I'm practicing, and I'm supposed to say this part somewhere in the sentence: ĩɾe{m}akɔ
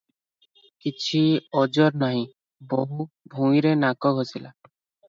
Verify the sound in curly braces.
incorrect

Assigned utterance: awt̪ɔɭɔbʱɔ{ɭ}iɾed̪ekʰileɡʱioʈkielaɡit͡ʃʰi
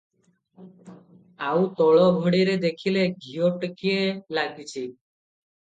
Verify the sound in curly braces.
incorrect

